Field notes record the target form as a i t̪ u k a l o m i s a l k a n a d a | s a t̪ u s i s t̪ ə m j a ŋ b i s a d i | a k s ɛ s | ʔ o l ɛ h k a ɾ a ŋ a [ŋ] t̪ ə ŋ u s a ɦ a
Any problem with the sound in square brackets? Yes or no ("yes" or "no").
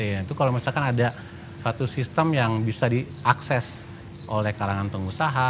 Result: yes